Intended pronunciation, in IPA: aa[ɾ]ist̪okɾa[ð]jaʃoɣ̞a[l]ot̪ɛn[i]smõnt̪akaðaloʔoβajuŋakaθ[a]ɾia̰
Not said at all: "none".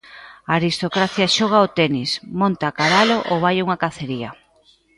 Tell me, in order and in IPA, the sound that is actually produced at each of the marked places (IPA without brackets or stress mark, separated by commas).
ɾ, θ, none, i, e